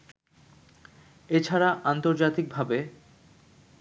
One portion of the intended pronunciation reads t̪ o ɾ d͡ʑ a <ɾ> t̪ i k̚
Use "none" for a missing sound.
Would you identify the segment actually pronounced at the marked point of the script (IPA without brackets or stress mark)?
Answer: none